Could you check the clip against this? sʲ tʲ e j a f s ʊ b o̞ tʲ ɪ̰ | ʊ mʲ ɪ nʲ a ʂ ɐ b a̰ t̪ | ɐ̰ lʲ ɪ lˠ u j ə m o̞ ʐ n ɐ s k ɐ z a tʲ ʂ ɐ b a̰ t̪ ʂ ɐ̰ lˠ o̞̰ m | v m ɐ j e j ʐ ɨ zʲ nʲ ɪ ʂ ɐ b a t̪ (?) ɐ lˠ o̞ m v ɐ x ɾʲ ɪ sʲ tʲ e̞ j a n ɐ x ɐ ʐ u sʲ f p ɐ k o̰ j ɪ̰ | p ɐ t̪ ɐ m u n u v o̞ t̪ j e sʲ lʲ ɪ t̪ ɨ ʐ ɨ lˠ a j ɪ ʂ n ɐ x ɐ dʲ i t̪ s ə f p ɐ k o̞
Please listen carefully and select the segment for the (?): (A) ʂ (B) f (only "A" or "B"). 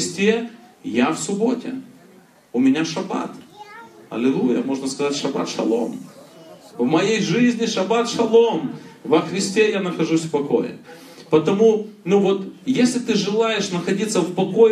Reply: A